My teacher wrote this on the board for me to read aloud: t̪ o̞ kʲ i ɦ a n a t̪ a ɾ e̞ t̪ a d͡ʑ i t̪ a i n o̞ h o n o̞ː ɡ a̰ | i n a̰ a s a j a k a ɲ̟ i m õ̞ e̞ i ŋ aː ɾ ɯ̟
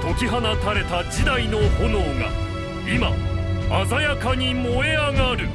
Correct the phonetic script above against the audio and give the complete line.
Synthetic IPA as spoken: t̪ o̞ kʲ i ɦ a n a t̪ a ɾ e̞ t̪ a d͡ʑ i d̪ a i n o̞ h o n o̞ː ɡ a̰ | i m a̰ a z a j a k a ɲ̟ i m o̞ e̞ a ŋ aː ɾ ɯ̟